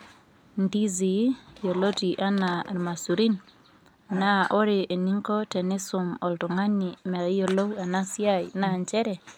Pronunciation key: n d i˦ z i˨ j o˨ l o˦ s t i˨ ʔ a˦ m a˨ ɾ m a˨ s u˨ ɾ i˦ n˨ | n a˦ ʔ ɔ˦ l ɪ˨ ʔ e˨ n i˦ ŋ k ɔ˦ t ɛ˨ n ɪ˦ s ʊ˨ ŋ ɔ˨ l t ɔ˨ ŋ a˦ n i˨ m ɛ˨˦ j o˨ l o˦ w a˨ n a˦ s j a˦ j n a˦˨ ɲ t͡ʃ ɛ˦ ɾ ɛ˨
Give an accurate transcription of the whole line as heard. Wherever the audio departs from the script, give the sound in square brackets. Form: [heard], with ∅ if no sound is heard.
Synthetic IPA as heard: n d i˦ z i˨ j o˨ l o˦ [∅] t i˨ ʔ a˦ [n] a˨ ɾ m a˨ s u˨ ɾ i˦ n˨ | n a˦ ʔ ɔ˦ [ɾ] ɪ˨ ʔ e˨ n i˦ ŋ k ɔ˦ t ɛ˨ n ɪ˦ s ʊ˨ [m] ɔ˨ l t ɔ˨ ŋ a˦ n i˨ m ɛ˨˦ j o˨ l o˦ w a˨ n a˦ s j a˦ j n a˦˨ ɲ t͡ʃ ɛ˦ ɾ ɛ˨